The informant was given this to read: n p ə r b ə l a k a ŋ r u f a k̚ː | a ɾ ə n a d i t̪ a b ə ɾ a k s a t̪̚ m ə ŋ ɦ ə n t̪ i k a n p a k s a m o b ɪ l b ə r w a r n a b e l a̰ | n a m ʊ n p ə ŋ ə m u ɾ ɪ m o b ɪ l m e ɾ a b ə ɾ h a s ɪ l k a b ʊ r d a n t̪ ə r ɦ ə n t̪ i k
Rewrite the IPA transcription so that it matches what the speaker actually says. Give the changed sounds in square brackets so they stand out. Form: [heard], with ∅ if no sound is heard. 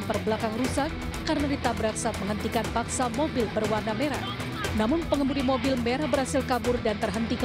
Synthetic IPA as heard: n p ə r b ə l a k a ŋ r u [s] a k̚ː | a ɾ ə n a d i t̪ a b ə ɾ a k s a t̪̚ m ə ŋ ɦ ə n t̪ i k a n p a k s a m o b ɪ l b ə r w a r n a [m] e [ɾ] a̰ | n a m ʊ n p ə ŋ ə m u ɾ [i] m o b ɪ l m e ɾ a b ə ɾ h a s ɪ l k a b ʊ r d a n t̪ ə r ɦ ə n t̪ i k